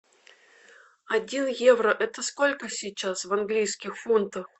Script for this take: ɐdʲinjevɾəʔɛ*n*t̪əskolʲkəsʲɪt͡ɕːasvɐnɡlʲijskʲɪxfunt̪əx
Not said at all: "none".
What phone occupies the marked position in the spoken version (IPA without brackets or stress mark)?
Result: none